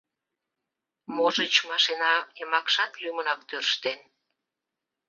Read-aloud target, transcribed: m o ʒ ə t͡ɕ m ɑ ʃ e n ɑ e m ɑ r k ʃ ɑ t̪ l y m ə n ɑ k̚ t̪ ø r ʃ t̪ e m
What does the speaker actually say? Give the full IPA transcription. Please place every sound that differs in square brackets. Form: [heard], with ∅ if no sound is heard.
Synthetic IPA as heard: m o ʒ ə t͡ɕ m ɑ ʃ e n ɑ e m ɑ [∅] k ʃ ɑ t̪ l y m ə n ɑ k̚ t̪ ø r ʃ t̪ e [n]